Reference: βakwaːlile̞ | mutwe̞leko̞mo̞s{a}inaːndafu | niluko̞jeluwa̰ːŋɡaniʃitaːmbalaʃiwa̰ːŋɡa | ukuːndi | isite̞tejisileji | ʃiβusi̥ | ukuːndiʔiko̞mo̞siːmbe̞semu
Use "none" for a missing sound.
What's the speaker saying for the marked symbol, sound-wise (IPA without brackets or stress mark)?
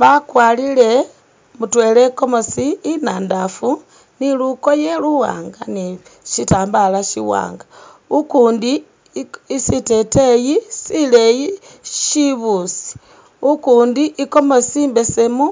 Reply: i